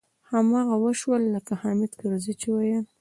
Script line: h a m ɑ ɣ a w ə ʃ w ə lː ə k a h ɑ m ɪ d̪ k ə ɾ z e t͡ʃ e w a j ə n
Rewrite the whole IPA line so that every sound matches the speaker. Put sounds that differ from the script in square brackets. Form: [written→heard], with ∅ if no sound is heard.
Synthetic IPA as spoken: h a m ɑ ɣ a w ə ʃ w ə lː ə k a h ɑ m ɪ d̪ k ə ɾ z [e→i] t͡ʃ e w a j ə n